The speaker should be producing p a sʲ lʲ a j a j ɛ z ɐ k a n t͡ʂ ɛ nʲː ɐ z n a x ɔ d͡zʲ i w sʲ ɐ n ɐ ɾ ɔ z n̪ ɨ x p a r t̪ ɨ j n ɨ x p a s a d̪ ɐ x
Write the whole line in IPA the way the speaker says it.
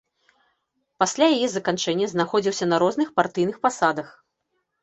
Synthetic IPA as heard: p a sʲ lʲ a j a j ɛ z ɐ k a n t͡ʂ ɛ nʲː ɐ z n a x ɔ d͡zʲ i w sʲ ɐ n ɐ ɾ ɔ z n̪ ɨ x p a r t̪ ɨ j n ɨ x p a s a d̪ ɐ x